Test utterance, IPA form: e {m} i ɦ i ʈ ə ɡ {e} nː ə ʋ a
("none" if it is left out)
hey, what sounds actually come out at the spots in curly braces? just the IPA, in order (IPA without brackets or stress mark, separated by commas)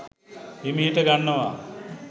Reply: m, a